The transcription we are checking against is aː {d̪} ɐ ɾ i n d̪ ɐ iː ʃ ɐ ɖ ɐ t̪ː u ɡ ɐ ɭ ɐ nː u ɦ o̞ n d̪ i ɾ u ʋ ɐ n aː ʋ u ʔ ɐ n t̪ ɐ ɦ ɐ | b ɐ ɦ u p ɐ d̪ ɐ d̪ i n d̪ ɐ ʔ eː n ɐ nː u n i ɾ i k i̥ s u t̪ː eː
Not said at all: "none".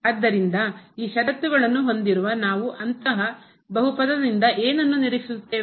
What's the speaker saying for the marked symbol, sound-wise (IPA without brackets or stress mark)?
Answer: d̪ː